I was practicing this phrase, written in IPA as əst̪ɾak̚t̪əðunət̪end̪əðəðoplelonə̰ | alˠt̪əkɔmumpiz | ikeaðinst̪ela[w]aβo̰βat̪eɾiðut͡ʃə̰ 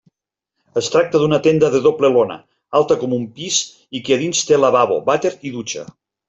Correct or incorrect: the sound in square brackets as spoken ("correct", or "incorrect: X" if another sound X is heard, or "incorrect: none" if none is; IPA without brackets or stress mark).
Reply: incorrect: β